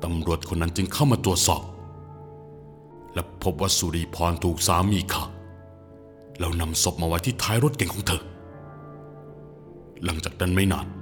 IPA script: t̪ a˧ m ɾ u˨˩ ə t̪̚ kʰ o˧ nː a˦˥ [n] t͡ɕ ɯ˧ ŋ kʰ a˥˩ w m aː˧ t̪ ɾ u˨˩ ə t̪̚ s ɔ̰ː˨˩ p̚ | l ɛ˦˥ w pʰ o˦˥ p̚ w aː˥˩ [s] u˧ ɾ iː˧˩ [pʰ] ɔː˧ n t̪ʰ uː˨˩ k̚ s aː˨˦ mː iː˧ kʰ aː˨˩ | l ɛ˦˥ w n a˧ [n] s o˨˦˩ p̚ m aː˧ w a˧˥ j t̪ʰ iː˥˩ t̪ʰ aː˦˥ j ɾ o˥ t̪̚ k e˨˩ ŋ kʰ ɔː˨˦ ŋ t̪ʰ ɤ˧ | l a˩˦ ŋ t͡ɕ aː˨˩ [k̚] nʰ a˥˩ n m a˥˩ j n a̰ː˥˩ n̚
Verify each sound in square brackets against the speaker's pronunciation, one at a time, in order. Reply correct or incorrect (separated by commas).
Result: correct, correct, correct, incorrect, correct